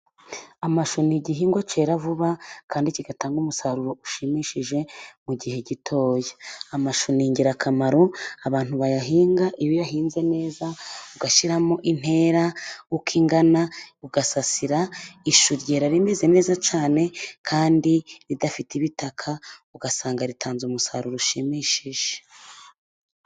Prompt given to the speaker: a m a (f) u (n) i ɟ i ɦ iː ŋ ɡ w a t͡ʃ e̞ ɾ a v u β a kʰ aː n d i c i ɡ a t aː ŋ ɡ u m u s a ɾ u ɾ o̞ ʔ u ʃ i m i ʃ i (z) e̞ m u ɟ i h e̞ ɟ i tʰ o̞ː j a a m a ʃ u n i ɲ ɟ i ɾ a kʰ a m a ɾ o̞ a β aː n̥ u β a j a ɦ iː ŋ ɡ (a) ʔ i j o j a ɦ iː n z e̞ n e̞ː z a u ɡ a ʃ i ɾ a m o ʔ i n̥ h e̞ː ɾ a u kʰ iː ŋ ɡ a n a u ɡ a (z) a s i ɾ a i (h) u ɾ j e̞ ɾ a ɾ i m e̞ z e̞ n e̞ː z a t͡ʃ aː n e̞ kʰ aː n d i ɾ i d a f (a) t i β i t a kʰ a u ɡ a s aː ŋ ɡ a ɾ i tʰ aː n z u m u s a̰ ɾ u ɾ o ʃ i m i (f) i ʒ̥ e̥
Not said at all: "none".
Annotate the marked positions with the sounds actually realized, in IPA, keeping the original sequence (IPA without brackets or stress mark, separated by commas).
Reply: ʃ, n, ʒ, a, s, ʃ, i, ʃ